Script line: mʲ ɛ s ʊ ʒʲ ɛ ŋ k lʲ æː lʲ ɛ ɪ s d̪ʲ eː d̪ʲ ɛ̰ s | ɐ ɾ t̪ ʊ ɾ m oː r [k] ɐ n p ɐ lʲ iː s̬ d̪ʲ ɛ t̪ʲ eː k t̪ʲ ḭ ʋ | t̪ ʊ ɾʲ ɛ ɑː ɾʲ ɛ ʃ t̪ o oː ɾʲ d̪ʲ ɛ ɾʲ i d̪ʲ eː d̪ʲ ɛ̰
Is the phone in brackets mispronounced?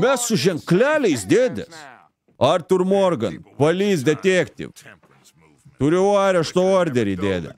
yes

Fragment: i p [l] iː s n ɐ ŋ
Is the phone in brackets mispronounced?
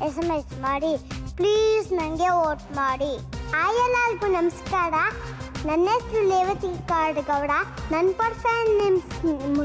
no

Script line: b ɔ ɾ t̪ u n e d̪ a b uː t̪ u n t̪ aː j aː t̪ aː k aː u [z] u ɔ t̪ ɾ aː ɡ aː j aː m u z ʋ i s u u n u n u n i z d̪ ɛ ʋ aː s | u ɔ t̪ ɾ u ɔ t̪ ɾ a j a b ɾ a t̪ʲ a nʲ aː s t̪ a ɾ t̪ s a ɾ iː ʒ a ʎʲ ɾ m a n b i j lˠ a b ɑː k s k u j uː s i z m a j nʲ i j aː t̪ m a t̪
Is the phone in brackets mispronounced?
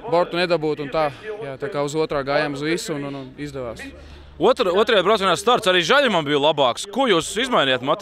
no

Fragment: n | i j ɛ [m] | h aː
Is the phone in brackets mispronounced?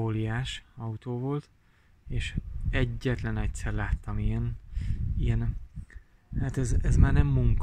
yes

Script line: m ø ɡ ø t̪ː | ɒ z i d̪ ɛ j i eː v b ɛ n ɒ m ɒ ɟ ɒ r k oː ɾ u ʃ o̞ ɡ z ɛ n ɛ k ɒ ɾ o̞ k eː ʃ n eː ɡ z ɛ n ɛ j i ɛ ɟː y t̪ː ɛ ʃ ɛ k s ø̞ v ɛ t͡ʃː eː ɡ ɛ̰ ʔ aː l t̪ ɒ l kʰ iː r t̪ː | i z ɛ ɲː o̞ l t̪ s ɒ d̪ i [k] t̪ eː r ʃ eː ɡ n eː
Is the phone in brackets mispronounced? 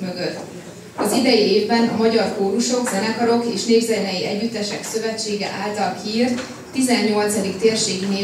no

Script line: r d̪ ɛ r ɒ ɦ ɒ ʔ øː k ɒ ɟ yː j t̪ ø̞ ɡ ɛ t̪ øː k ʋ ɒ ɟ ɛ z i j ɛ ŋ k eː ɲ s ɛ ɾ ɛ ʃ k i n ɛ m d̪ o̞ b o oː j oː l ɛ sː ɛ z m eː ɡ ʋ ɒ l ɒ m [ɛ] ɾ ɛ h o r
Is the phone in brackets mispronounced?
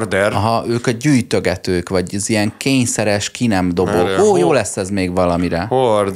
yes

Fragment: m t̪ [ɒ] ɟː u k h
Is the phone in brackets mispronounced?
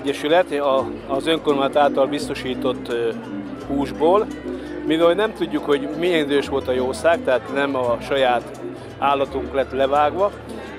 yes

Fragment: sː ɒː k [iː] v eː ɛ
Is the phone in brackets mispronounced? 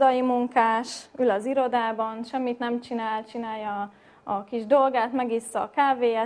yes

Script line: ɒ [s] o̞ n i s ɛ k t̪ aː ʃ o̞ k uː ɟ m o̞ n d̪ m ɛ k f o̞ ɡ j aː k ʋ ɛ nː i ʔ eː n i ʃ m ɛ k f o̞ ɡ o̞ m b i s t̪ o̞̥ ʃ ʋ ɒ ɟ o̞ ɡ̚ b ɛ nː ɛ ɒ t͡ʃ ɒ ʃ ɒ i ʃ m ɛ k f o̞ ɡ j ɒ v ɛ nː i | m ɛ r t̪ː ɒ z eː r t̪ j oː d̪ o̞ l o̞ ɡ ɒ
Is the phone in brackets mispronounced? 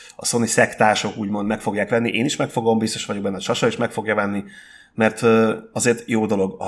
no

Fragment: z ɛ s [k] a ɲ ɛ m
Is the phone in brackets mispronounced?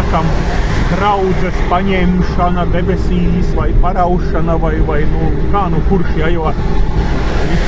yes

